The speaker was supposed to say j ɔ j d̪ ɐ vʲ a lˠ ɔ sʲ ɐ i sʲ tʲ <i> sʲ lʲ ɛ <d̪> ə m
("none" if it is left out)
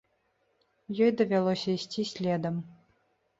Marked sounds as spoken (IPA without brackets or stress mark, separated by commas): i, d̪